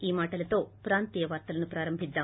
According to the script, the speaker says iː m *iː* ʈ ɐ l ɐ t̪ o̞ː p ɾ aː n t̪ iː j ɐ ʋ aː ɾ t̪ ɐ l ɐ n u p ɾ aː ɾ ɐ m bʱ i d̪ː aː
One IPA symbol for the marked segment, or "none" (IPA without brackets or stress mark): aː